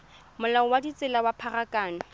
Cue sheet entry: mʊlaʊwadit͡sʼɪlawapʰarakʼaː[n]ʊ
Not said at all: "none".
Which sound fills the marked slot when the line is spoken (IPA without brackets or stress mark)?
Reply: n